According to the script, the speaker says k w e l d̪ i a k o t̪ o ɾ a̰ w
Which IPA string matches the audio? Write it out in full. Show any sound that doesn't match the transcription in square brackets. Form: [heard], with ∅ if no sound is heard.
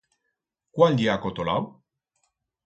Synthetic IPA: k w [a] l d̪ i a k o t̪ o [l] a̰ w